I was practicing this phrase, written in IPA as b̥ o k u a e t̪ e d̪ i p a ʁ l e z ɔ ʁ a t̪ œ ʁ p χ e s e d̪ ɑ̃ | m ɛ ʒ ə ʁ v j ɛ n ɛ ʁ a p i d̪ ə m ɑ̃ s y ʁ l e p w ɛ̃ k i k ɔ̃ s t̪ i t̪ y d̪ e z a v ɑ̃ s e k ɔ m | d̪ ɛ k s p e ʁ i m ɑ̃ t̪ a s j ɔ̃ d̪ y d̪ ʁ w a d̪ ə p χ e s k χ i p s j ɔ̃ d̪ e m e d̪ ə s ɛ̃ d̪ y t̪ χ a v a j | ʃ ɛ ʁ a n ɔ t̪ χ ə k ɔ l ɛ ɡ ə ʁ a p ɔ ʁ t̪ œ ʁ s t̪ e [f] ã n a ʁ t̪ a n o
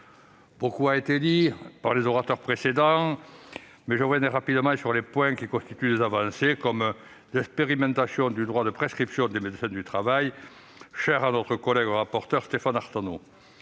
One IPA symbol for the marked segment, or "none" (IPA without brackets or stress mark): f